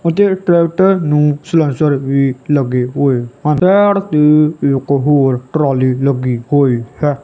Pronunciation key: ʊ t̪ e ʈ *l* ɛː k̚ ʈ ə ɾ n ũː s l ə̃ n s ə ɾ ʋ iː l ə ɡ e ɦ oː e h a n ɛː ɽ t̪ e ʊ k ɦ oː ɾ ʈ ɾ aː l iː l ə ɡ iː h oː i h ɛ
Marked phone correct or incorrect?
incorrect